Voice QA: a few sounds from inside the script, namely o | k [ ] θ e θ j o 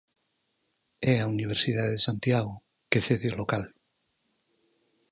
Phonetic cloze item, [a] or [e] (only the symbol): e